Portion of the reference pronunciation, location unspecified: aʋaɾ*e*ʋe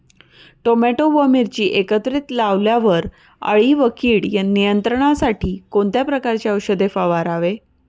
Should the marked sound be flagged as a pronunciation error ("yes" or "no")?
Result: yes